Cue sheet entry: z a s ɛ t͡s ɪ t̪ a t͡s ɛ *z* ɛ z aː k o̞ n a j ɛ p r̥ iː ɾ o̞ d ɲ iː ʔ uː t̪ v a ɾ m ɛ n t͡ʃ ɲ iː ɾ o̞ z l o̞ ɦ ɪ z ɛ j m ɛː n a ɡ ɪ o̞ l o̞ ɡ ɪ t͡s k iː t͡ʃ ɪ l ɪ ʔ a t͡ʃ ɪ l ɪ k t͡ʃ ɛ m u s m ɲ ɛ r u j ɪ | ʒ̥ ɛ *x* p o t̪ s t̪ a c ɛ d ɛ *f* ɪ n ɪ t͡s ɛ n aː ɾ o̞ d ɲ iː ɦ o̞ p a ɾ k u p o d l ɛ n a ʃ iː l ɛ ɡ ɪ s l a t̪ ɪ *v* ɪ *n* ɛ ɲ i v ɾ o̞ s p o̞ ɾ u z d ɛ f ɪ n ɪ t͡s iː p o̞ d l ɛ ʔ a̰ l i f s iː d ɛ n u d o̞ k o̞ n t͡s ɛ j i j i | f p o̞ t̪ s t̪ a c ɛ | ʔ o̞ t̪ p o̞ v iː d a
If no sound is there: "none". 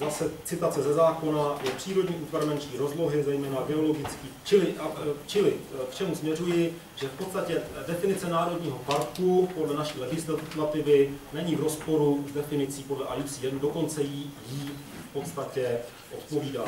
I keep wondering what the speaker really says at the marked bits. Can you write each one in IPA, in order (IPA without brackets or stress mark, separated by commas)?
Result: z, f, f, v, n